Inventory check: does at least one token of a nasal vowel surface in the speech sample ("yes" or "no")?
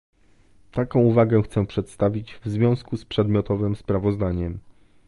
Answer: yes